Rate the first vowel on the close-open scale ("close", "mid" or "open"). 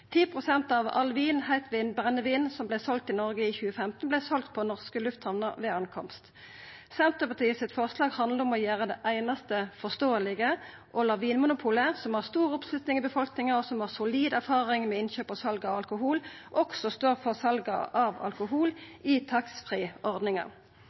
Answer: close